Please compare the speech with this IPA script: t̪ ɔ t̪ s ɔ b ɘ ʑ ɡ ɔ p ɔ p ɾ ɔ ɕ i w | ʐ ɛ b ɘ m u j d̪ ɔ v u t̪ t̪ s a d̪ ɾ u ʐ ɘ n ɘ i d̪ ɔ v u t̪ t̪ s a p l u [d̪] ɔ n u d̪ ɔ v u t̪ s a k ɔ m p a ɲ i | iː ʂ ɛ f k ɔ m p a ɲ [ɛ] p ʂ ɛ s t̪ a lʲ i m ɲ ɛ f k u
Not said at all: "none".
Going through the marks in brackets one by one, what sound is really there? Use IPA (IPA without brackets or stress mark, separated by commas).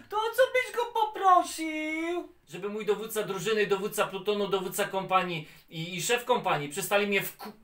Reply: t̪, i